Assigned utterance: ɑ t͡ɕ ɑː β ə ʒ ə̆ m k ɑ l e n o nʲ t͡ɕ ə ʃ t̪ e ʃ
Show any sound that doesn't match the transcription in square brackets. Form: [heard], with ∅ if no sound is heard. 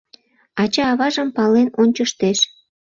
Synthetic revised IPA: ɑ t͡ɕ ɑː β [ɑ] ʒ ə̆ m [p] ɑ l e n o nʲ t͡ɕ ə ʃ t̪ e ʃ